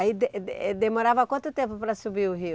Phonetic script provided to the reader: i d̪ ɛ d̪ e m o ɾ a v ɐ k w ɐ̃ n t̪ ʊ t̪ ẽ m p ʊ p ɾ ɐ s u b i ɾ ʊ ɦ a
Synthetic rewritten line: i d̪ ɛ d̪ e m o ɾ a v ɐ k w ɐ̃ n t̪ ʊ t̪ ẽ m p ʊ p ɾ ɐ s u b i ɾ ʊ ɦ i